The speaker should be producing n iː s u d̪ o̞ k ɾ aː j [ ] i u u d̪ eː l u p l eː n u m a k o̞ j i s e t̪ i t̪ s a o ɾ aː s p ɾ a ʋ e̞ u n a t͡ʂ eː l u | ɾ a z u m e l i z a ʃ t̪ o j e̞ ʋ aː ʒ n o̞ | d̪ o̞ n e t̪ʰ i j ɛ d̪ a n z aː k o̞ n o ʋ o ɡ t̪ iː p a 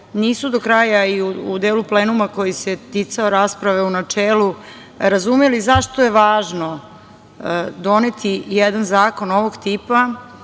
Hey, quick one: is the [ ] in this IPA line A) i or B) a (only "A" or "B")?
B